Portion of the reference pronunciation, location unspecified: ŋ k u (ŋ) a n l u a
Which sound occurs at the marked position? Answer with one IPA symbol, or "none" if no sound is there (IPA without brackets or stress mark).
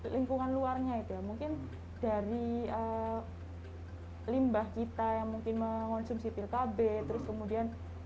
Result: ŋ